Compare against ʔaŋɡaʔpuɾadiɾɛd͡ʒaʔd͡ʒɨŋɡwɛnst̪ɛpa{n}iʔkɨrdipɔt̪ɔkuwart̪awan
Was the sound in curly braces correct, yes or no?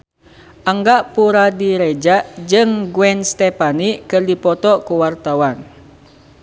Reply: yes